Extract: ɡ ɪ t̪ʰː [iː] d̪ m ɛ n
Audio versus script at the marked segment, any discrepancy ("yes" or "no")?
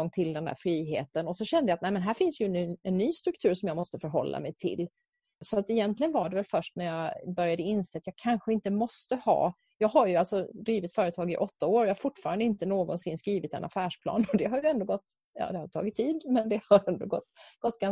no